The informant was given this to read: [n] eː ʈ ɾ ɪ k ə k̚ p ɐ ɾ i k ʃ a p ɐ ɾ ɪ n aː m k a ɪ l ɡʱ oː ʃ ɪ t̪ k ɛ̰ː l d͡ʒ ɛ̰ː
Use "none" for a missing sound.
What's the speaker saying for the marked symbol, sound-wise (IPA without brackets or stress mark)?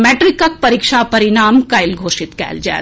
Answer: m